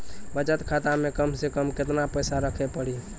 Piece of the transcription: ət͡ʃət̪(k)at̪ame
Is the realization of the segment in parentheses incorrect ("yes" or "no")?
yes